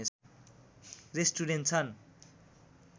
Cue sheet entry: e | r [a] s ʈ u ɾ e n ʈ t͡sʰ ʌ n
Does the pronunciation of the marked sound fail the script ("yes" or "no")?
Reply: yes